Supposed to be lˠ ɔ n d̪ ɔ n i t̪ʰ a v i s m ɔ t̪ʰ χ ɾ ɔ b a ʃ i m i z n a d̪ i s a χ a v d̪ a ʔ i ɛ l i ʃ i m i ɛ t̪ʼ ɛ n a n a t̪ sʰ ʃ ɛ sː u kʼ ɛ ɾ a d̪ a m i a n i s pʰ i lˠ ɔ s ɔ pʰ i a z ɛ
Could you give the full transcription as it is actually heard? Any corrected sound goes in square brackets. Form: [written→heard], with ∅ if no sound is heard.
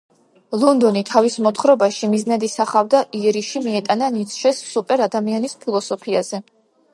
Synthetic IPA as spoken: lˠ ɔ n d̪ ɔ n i t̪ʰ a v i s m ɔ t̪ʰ χ ɾ ɔ b a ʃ i m i z n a d̪ i s a χ a v d̪ a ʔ i ɛ [l→ɾ] i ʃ i m i ɛ t̪ʼ [ɛ→a] n a n [a→i] t̪ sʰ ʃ ɛ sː u [kʼ→pʼ] ɛ ɾ a d̪ a m i a n i s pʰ i lˠ ɔ s ɔ pʰ i a z ɛ